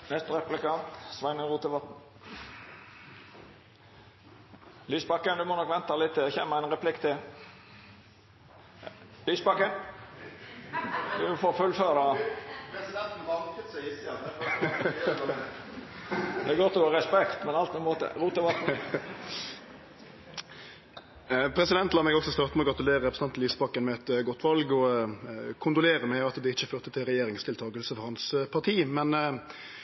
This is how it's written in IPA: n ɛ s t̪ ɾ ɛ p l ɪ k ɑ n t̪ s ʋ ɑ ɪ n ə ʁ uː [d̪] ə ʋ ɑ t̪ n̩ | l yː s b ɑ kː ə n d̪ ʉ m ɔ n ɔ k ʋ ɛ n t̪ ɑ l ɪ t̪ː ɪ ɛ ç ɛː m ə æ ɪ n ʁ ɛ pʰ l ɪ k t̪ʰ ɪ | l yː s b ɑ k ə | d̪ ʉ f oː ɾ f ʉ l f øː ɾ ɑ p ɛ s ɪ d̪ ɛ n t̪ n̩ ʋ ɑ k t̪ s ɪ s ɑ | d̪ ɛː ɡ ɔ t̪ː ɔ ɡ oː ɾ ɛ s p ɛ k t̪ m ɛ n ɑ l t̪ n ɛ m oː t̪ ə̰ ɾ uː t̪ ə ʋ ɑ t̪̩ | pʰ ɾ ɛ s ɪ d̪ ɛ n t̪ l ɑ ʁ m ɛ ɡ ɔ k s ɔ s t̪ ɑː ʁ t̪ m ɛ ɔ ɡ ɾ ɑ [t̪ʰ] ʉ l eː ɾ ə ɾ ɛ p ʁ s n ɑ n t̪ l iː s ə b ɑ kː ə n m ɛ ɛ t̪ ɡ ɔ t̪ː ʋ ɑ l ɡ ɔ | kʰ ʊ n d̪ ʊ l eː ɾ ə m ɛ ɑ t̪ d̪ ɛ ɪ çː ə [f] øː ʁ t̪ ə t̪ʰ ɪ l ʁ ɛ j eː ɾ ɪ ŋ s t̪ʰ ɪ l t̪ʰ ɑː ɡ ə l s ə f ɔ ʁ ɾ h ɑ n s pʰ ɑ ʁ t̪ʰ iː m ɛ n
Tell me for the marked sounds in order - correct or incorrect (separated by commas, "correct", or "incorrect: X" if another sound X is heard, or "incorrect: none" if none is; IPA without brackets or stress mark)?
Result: incorrect: t̪, incorrect: t̪, correct